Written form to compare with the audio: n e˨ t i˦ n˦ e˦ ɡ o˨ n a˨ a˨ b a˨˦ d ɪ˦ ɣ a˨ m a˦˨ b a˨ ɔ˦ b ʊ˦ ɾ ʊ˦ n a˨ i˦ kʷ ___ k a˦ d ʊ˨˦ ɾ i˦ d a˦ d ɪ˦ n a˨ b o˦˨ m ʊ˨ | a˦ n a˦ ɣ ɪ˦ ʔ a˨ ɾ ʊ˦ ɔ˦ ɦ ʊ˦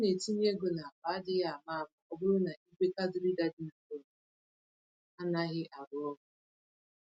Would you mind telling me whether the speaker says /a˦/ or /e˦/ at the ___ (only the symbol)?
e˦